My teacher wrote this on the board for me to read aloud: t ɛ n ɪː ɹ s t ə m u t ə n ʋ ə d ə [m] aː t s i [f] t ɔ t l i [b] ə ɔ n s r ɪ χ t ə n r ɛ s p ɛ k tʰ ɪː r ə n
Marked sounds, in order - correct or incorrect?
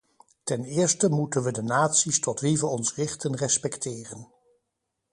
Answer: incorrect, incorrect, incorrect

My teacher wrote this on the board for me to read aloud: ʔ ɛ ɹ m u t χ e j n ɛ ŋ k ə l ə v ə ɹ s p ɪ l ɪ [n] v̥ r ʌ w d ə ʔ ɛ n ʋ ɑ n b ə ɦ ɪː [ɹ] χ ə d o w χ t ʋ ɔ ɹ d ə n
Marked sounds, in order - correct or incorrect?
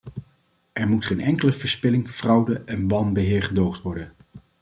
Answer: incorrect, correct

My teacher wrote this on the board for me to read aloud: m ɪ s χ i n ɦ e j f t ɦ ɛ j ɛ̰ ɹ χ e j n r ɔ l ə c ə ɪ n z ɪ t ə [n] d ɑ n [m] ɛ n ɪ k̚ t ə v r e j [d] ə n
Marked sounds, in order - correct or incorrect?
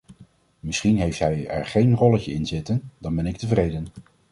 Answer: correct, incorrect, correct

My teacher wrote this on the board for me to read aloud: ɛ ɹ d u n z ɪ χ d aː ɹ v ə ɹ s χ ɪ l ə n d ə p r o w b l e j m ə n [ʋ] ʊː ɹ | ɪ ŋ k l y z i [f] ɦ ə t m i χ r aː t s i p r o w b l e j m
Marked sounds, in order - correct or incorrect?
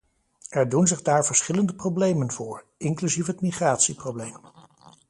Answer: incorrect, correct

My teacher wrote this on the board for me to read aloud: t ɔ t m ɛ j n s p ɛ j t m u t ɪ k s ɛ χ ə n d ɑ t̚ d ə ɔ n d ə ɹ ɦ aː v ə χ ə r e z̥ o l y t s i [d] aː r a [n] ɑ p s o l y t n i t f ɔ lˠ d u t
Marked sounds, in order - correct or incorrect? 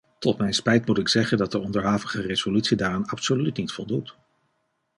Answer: correct, correct

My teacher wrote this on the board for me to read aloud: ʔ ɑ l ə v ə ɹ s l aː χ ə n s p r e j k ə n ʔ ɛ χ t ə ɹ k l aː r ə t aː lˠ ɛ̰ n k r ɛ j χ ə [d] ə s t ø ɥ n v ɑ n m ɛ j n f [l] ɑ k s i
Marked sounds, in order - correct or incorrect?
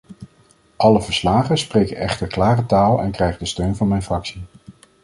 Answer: correct, incorrect

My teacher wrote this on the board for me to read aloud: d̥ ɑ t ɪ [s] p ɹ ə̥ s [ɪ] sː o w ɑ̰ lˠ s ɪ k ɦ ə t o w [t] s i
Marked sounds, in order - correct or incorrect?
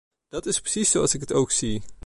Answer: correct, incorrect, incorrect

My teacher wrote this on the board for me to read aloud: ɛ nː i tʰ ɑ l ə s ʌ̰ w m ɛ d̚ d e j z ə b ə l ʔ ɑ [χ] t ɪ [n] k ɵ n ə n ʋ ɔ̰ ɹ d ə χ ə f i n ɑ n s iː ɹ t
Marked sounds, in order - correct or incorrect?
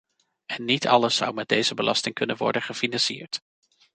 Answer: incorrect, incorrect

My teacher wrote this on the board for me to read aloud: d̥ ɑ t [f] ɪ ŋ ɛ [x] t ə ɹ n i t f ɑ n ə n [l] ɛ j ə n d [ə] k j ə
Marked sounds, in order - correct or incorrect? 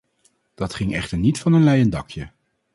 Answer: incorrect, incorrect, correct, incorrect

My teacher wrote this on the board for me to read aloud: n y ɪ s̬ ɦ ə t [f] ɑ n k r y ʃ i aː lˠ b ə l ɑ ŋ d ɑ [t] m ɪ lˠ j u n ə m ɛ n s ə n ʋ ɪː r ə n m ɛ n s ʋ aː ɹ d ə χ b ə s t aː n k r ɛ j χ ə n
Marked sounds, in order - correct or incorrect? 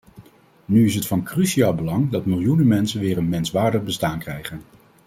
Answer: correct, correct

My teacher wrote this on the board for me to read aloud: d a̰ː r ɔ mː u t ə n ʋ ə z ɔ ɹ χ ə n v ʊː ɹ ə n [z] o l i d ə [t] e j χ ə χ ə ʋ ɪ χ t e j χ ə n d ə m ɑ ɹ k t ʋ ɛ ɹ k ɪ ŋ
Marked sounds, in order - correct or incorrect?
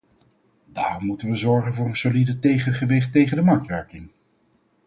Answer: incorrect, correct

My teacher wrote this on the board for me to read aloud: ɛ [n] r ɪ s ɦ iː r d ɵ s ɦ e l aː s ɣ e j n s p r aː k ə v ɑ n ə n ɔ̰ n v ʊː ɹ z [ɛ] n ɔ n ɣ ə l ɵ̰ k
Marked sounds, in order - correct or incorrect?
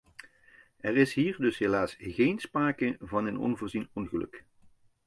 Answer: incorrect, incorrect

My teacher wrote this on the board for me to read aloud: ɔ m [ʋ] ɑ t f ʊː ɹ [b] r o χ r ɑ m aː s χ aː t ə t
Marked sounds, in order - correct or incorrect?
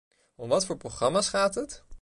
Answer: correct, incorrect

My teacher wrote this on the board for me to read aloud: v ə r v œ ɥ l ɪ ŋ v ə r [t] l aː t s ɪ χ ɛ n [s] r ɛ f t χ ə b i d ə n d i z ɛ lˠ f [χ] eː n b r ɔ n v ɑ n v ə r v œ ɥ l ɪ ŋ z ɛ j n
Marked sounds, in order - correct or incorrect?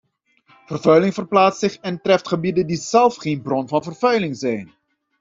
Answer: incorrect, incorrect, correct

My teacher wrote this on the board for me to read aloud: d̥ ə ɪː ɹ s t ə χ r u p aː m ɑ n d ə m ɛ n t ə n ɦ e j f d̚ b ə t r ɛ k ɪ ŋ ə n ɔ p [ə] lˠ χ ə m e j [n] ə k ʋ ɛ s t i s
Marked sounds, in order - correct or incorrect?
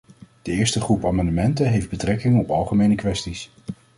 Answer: incorrect, correct

